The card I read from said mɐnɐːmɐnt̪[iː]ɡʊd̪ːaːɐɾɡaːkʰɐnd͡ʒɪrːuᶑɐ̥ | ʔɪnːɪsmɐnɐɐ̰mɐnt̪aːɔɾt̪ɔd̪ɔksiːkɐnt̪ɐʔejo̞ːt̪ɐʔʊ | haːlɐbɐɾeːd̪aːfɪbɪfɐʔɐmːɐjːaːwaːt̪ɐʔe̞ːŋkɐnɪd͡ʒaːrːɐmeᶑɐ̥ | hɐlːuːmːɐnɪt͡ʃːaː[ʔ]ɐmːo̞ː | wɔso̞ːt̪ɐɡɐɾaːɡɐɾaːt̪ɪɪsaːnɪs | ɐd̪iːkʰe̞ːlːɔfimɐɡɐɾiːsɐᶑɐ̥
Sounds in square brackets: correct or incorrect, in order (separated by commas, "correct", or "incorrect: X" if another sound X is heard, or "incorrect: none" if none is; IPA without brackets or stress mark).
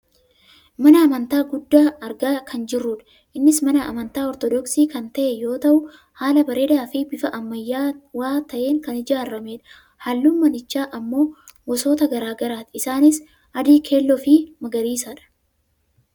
incorrect: aː, correct